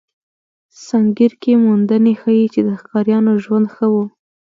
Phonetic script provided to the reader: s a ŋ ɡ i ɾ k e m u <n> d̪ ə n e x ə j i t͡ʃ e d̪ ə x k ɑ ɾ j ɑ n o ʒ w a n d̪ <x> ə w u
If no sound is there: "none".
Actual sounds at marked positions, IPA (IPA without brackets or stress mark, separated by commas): n, x